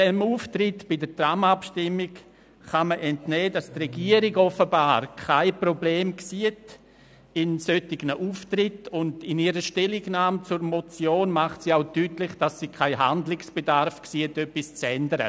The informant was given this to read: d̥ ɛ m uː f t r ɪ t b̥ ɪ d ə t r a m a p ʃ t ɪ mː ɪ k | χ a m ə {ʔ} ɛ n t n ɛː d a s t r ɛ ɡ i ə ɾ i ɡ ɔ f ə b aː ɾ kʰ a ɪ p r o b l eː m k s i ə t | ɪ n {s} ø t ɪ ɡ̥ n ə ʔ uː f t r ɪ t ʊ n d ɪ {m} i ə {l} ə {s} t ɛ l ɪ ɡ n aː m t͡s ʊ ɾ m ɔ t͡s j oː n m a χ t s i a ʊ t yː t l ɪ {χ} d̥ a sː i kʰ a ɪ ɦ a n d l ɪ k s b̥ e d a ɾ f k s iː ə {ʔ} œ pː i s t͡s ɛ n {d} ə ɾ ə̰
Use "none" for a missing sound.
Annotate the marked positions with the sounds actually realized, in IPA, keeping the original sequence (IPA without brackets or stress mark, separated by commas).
ʔ, s, n, ɾ, ʃ, χ, t, d